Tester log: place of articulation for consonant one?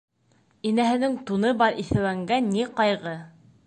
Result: alveolar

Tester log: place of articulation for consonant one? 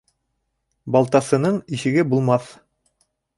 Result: labial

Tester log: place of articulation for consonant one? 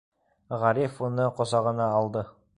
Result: uvular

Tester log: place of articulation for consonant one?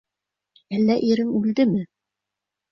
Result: alveolar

